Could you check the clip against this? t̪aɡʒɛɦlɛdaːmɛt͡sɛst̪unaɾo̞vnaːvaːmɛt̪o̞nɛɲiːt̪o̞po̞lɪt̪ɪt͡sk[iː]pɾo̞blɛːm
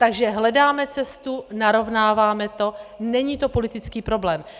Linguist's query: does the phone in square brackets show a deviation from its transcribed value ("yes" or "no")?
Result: no